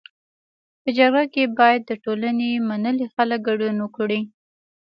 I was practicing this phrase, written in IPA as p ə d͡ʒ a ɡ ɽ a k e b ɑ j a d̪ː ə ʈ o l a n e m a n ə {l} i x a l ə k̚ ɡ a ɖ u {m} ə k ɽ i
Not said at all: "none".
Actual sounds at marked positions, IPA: l, n

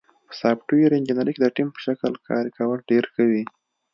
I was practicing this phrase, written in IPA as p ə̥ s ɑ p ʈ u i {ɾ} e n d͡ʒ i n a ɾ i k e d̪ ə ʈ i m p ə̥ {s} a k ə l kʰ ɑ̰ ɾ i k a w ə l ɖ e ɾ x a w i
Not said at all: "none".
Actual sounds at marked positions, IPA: ɾ, ʃ

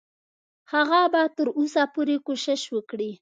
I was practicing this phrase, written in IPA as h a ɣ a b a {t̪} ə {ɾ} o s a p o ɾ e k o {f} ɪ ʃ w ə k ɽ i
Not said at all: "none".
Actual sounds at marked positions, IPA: t̪, ɾ, ʃ

